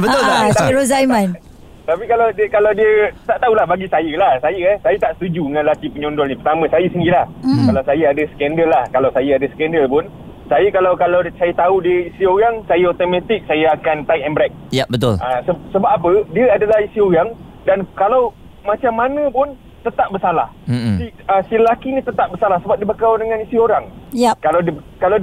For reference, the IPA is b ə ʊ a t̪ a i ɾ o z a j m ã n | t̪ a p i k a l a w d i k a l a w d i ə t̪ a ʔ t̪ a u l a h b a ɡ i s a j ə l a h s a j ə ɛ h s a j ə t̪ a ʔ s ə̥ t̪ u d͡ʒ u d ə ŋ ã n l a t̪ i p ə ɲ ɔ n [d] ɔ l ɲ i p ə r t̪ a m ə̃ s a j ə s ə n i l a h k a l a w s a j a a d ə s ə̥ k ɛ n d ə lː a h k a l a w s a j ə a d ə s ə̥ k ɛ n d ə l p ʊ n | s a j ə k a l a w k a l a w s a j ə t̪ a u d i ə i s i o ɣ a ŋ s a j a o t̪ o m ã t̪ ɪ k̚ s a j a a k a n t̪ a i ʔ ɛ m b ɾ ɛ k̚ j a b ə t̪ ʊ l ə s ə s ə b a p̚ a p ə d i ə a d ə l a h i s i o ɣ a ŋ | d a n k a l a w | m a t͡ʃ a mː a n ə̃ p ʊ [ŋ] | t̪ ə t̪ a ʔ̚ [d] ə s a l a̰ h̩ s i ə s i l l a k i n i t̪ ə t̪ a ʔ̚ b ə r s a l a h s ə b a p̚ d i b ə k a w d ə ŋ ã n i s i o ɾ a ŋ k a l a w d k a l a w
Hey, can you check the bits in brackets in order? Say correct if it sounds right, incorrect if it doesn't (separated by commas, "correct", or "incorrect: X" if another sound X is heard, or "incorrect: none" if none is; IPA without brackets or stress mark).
correct, incorrect: n, incorrect: b